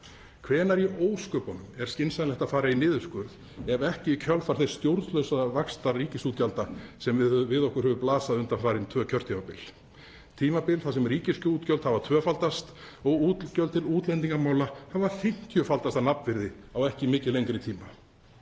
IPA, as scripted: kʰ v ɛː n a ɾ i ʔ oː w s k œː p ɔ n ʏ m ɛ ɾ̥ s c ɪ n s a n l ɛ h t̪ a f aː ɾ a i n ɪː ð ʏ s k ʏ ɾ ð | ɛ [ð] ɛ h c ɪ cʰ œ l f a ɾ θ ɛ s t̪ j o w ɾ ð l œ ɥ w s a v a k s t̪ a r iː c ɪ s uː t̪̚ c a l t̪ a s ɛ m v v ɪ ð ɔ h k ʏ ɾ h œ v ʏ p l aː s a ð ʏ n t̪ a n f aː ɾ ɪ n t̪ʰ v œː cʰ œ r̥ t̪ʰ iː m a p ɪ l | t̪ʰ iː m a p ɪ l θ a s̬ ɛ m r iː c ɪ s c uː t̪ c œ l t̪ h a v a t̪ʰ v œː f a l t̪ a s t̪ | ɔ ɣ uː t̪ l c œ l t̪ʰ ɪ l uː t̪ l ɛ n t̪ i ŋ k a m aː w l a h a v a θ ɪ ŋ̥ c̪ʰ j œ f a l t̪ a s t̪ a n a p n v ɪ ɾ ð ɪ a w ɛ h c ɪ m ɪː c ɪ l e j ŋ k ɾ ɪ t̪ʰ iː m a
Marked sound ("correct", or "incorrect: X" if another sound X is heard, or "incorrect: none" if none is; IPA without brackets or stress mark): incorrect: v